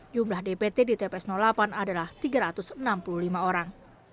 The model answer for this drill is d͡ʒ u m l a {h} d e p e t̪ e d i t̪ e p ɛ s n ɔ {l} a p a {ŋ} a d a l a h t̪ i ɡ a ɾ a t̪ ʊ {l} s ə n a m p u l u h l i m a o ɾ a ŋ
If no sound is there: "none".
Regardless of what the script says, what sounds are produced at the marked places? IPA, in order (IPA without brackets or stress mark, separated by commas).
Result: h, l, n, none